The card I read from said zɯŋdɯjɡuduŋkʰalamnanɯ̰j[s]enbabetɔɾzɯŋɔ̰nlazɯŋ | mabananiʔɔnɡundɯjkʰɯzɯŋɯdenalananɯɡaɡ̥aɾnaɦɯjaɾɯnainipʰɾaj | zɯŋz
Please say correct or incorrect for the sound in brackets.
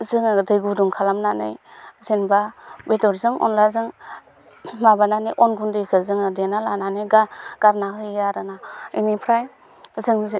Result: incorrect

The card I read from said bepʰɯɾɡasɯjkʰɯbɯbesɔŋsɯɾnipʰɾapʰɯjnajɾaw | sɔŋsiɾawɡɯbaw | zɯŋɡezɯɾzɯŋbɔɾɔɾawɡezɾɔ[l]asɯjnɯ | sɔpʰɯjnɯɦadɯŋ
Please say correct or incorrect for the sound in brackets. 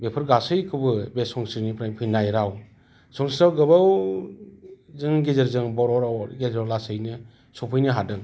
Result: correct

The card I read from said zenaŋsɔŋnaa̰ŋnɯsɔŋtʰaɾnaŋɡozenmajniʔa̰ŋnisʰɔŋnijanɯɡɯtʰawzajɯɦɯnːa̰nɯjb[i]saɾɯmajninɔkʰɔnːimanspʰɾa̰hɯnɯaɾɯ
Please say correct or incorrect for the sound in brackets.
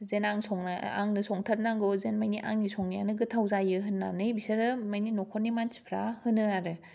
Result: correct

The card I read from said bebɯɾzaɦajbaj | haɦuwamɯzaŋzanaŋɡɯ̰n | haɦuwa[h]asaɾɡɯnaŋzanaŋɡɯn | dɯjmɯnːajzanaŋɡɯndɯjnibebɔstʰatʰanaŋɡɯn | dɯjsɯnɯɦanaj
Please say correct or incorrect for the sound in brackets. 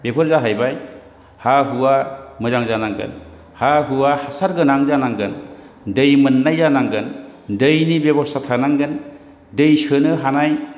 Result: correct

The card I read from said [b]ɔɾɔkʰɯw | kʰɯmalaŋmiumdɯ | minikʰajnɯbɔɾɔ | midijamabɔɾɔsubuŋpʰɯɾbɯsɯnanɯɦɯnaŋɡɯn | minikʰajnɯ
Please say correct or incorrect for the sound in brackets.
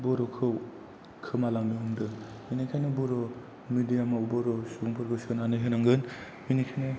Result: correct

